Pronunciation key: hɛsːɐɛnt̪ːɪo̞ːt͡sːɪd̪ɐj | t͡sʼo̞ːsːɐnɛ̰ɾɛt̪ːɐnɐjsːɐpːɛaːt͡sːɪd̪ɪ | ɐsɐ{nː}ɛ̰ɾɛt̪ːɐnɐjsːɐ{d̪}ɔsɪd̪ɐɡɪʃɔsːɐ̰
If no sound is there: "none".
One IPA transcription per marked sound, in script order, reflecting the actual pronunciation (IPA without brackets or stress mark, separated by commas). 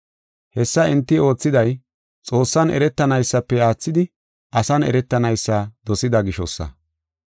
n, d̪